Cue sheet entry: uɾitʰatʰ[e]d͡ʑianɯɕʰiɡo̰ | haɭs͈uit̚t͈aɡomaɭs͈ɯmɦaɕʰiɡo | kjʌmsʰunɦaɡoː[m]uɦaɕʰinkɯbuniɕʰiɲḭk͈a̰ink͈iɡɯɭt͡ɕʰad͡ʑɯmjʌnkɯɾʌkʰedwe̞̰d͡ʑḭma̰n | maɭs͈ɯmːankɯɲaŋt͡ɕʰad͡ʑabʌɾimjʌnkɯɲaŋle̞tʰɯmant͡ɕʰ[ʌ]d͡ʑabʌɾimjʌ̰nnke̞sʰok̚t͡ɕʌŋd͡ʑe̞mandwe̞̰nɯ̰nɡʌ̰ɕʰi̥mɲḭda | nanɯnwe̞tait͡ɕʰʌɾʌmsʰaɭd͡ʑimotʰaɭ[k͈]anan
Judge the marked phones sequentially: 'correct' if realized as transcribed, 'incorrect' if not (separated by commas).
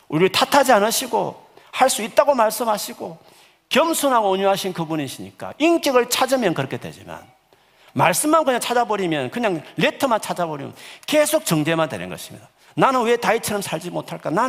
incorrect, incorrect, incorrect, correct